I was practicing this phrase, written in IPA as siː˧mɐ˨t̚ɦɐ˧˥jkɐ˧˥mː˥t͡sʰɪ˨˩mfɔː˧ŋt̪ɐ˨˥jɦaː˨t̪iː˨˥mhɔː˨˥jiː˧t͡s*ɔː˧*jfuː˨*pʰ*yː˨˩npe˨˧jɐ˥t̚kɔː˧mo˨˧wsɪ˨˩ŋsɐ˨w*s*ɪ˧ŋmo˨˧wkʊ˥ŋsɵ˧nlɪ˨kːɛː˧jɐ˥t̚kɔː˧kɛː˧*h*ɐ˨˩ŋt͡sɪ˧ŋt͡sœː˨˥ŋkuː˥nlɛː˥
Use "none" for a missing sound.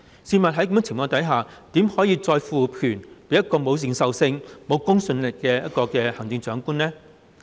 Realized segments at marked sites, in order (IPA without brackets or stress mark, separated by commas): ɔː˧, pʰ, s, h